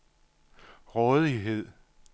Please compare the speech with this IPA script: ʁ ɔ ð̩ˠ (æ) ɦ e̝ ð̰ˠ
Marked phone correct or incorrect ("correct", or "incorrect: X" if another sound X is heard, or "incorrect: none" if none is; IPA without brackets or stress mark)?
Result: incorrect: i